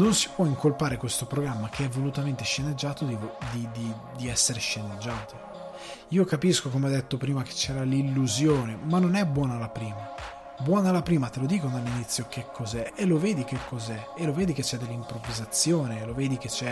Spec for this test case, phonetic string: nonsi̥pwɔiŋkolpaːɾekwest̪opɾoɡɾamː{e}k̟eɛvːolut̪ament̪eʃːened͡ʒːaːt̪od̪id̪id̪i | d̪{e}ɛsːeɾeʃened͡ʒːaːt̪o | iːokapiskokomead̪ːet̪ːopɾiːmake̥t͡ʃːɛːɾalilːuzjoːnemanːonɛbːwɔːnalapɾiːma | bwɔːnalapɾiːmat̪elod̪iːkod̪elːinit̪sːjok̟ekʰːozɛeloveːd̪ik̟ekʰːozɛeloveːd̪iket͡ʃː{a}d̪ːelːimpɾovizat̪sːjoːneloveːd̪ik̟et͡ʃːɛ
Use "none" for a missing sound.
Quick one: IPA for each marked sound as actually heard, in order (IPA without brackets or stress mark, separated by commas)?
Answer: a, i, ɛ